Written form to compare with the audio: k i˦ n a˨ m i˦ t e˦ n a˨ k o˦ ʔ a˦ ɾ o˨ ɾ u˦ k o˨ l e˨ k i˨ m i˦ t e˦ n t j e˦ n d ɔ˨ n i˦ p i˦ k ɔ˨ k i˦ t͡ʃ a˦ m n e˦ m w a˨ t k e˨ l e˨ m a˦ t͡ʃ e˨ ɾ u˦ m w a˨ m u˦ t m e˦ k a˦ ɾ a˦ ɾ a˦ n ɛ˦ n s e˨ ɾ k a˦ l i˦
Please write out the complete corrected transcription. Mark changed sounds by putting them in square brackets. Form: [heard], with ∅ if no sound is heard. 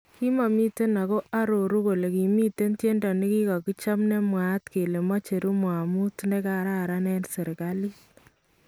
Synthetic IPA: k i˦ [m] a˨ m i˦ t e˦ n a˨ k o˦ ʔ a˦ ɾ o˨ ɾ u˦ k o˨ l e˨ k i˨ m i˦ t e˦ n t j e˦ n d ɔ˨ n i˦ [k] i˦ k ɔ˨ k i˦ t͡ʃ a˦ m n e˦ m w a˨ t k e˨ l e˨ m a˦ t͡ʃ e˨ ɾ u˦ m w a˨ m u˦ t [n] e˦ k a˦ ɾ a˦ ɾ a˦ n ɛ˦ n s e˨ ɾ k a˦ l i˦